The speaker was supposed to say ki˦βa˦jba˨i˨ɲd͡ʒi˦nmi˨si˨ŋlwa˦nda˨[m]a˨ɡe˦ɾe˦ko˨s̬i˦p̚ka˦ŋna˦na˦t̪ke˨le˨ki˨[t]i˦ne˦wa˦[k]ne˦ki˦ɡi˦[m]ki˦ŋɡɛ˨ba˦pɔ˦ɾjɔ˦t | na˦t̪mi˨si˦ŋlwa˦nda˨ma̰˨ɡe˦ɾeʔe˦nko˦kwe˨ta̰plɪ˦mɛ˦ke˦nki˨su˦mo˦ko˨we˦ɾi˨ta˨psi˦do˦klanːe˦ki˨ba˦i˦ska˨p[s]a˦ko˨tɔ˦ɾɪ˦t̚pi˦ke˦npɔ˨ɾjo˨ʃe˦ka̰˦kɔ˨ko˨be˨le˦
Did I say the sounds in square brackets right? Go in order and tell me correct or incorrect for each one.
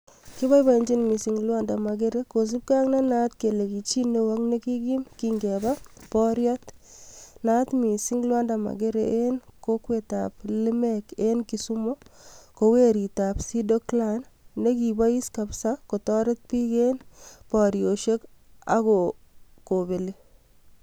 correct, incorrect: t͡ʃ, correct, correct, correct

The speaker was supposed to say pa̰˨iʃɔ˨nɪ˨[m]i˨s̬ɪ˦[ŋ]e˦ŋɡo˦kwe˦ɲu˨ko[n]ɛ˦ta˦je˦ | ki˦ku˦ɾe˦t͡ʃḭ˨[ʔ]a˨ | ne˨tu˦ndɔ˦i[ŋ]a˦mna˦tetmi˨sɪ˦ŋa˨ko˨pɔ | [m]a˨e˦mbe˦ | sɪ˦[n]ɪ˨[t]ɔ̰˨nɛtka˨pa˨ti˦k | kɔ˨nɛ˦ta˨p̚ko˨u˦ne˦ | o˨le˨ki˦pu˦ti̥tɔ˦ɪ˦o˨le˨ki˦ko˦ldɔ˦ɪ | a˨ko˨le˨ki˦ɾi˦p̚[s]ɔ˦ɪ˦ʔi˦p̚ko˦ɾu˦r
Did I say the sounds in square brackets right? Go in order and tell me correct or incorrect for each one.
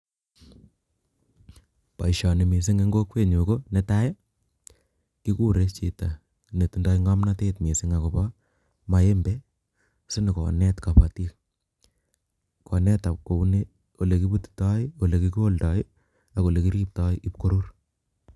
correct, correct, correct, incorrect: t, correct, correct, correct, incorrect: k, incorrect: t

